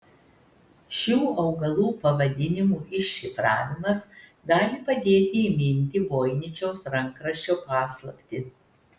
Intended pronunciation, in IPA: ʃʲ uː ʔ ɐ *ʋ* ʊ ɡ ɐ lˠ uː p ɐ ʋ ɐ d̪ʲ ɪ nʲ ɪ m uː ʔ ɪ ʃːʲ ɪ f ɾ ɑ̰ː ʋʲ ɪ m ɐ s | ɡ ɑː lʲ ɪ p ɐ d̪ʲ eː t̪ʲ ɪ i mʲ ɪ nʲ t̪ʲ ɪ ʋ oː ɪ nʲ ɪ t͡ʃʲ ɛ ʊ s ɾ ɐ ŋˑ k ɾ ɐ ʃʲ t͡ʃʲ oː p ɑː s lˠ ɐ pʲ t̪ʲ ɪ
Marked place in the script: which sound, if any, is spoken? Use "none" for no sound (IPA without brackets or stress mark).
none